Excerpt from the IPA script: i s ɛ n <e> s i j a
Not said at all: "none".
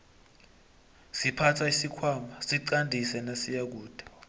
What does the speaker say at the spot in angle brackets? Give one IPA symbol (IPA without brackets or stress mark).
a